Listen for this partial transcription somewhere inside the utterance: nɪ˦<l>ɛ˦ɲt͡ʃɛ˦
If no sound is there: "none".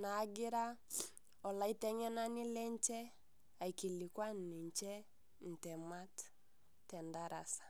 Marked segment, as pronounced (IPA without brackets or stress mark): l